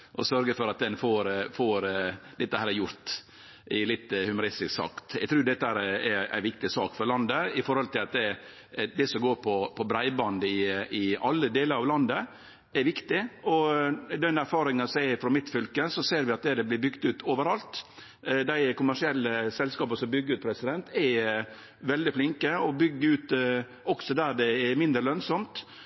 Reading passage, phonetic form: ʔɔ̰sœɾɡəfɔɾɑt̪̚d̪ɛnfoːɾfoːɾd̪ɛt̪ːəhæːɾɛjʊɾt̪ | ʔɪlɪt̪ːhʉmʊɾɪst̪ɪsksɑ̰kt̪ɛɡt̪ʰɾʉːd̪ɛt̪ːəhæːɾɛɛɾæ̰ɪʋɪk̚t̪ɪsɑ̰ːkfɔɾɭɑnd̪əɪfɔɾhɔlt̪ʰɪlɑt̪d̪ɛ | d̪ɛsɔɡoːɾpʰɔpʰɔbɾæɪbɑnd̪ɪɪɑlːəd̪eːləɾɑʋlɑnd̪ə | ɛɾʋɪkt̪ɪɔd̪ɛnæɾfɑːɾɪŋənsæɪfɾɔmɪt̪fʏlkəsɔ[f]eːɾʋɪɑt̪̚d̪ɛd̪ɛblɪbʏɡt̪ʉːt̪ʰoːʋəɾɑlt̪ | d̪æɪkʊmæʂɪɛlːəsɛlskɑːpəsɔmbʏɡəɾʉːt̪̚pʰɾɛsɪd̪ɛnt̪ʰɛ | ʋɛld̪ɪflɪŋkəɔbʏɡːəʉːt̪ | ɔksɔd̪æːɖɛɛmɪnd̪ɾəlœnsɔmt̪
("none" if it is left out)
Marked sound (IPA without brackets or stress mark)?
s